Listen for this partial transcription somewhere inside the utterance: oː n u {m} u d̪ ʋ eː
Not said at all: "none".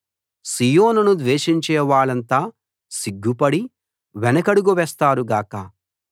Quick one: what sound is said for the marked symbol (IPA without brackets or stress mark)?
n